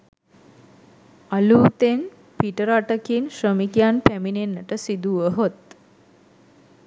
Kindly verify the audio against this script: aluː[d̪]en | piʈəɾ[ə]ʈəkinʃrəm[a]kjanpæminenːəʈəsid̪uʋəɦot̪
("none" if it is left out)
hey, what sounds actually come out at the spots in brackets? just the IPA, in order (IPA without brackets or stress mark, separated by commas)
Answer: t̪, a, i